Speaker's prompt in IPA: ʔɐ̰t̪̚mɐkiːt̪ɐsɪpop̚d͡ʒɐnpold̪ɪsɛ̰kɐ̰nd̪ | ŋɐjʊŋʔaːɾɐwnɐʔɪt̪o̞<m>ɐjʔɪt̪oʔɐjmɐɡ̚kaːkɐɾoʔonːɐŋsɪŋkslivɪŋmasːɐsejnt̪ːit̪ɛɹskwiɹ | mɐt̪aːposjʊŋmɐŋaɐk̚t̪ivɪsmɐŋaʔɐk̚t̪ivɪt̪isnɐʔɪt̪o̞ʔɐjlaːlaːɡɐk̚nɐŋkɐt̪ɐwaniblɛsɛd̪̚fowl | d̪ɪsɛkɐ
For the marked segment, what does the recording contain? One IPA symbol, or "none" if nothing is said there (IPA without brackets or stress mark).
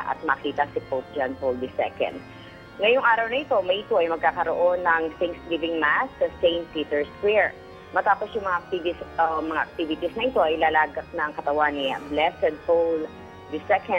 m